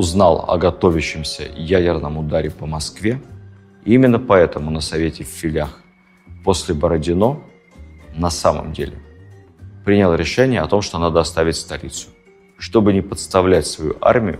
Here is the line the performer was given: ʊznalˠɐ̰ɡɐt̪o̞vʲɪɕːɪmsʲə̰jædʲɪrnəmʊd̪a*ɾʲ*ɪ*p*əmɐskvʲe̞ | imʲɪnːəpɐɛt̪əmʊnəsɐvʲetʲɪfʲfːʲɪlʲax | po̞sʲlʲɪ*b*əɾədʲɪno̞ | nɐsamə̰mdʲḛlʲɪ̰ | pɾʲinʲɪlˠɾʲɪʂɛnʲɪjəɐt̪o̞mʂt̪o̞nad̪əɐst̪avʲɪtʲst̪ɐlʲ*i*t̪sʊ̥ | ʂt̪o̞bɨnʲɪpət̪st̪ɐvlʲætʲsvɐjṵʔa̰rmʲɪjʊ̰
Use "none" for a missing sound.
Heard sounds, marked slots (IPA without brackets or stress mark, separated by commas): ɾʲ, p, b, i